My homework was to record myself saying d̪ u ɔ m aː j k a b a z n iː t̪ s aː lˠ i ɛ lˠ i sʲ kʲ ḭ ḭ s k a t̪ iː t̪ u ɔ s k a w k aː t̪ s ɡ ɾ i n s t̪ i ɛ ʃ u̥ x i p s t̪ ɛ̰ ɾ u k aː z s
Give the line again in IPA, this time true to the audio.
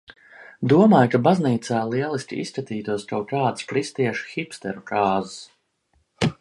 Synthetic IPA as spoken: d̪ u ɔ m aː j k a b a z n iː t̪ s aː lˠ i ɛ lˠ i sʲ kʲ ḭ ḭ s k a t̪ iː t̪ u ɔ s k a w k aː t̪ s k ɾ i s t̪ i ɛ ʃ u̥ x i p s t̪ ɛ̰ ɾ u k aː z s